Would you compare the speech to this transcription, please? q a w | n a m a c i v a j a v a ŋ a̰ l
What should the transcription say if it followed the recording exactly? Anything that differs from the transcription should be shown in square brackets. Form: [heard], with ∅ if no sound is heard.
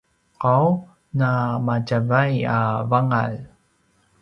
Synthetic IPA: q a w | n a m a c [a] v a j a v a ŋ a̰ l